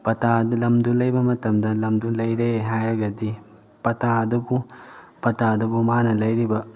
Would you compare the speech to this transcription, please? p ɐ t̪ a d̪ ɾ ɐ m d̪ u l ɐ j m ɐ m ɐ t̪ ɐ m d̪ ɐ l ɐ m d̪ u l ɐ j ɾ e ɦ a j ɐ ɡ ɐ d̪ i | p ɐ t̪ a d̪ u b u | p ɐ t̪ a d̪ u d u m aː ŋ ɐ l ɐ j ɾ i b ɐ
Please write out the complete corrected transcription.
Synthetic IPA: p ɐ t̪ a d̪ l ɐ m d̪ u l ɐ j b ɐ m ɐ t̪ ɐ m d̪ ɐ l ɐ m d̪ u l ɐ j ɾ e ɦ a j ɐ ɡ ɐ d̪ i | p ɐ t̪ a d̪ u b u | p ɐ t̪ a d̪ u b u m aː n ɐ l ɐ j ɾ i b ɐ